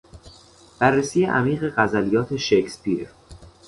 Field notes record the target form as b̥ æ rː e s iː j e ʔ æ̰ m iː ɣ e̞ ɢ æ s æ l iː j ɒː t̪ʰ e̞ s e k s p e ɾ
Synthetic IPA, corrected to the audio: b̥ æ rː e s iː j e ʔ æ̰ m iː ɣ e̞ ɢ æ z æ l i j ɒː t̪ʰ e̞ ʃ e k s p i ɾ